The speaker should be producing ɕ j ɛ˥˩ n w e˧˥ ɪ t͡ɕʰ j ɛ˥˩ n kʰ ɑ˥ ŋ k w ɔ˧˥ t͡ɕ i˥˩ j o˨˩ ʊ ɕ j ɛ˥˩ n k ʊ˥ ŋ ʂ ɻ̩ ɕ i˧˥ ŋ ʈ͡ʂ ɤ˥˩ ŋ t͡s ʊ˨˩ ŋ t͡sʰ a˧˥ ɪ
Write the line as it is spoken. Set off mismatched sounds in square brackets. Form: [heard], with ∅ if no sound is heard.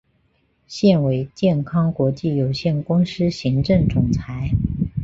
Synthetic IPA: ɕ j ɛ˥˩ n w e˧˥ ɪ [t͡ɕ] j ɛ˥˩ n kʰ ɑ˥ ŋ k w ɔ˧˥ t͡ɕ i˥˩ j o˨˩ ʊ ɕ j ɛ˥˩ n k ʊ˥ ŋ ʂ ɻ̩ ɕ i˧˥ ŋ ʈ͡ʂ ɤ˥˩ ŋ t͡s ʊ˨˩ ŋ t͡sʰ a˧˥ ɪ